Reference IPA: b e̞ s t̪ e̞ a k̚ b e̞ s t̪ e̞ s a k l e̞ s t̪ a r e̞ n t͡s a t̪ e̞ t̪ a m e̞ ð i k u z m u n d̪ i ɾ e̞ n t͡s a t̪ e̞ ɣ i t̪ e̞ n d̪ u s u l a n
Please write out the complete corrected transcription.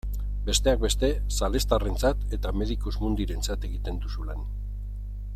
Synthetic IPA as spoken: b e̞ s t̪ e̞ a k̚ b e̞ s t̪ e̞ s a l e̞ s t̪ a r e̞ n t͡s a t̪ e̞ t̪ a m e̞ ð i k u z m u n d̪ i ɾ e̞ n t͡s a t̪ e̞ ɣ i t̪ e̞ n d̪ u s u l a n

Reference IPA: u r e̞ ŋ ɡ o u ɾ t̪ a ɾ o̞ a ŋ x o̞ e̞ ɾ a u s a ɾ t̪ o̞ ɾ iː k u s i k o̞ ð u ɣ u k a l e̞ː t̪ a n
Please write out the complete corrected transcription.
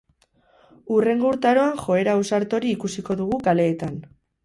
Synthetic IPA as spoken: u r e̞ ŋ ɡ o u ɾ t̪ a ɾ o̞ a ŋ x o̞ e̞ ɾ a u s a ɾ t̪ o̞ ɾ iː k u s i k o̞ ð u ɣ u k a l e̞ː t̪ a n

